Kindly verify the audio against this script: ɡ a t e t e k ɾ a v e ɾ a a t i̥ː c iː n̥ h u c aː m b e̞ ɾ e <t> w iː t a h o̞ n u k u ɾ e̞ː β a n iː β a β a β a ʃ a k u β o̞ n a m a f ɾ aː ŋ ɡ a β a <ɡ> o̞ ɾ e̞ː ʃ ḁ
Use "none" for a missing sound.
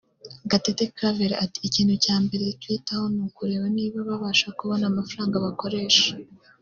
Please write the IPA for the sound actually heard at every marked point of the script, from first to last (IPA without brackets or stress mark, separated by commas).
t, k